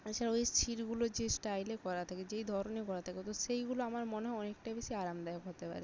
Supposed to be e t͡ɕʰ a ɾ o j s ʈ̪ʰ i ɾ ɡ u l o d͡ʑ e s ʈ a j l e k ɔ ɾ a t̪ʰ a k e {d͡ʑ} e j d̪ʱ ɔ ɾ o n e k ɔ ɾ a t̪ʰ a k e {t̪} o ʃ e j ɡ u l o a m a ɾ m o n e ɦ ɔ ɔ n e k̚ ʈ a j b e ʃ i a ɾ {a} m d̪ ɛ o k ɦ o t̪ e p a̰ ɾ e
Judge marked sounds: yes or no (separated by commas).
yes, yes, yes